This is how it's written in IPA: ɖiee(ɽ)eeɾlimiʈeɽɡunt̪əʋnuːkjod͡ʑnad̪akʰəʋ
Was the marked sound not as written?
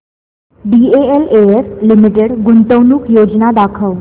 yes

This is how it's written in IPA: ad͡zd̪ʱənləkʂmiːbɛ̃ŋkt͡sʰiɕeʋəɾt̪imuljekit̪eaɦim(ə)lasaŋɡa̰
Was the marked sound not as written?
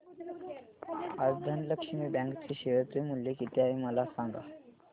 no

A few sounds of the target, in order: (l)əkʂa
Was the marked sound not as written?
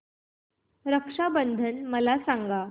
yes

